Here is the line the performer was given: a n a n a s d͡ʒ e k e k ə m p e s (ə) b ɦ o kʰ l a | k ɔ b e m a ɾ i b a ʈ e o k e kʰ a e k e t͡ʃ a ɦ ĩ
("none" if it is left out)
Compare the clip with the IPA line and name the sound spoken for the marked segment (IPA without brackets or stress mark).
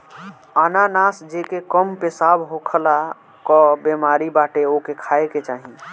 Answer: a